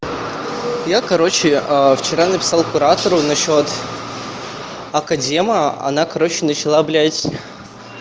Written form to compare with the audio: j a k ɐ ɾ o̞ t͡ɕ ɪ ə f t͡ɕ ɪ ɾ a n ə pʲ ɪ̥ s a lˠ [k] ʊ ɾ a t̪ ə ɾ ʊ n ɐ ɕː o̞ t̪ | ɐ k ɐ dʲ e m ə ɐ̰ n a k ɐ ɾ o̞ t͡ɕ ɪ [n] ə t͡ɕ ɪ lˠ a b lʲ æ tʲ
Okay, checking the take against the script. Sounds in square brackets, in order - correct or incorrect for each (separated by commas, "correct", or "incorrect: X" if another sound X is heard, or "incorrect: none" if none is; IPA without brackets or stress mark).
correct, correct